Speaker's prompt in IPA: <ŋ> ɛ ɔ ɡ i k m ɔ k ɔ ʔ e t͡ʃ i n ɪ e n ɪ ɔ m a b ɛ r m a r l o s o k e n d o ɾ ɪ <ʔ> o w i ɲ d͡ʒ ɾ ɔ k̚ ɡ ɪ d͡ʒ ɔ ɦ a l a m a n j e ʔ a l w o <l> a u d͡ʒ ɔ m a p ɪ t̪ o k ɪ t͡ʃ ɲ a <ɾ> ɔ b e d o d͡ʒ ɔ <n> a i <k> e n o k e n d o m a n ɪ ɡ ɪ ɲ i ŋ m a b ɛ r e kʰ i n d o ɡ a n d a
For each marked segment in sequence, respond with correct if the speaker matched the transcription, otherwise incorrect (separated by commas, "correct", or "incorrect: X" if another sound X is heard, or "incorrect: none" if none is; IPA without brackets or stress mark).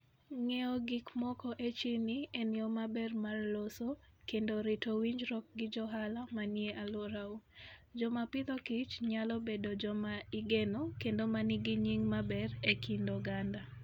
correct, incorrect: t, incorrect: ɾ, incorrect: l, incorrect: m, incorrect: ɡ